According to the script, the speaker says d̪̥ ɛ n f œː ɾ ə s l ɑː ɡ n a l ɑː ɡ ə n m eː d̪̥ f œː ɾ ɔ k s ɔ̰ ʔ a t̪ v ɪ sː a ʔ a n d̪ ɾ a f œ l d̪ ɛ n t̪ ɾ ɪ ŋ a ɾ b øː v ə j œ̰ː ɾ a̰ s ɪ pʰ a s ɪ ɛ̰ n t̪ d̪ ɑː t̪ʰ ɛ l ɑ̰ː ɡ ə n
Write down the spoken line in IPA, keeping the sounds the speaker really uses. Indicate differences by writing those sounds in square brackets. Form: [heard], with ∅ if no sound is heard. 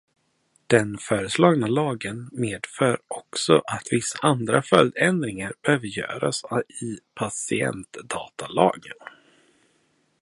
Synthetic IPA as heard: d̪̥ ɛ n f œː ɾ ə s l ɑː ɡ n a l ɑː ɡ ə n m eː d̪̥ f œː ɾ ɔ k s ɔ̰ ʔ a t̪ v ɪ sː a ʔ a n d̪ ɾ a f œ l d̪ ɛ n [d̪] ɾ ɪ ŋ a ɾ b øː v ə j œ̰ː ɾ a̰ s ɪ pʰ a s ɪ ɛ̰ n t̪ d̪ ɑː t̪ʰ [a] l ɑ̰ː ɡ ə n